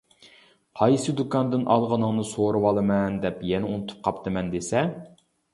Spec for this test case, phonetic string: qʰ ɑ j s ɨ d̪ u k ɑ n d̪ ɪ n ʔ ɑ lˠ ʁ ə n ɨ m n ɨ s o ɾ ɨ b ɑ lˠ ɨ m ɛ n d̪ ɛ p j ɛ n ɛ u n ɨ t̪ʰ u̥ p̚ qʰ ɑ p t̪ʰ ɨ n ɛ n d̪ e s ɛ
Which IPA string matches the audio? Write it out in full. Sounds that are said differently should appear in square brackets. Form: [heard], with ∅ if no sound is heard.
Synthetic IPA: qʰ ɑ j s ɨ d̪ u k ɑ n d̪ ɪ n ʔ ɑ lˠ ʁ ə n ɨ [ŋ] n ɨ s o ɾ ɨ [w] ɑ lˠ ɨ m ɛ n d̪ ɛ p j ɛ n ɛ u n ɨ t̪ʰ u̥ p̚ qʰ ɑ p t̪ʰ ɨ [m] ɛ n d̪ e s ɛ